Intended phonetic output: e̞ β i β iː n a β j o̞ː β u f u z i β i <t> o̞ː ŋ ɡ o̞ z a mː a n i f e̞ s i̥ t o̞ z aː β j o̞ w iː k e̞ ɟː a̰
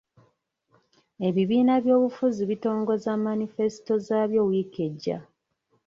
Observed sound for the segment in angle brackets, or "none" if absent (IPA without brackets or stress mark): t